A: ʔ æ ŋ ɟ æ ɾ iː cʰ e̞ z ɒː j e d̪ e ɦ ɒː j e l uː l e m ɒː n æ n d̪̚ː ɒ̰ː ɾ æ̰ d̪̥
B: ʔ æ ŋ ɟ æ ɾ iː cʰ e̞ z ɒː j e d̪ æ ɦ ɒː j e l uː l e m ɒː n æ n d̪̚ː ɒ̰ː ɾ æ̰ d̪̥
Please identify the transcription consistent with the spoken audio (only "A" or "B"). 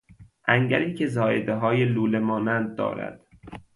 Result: A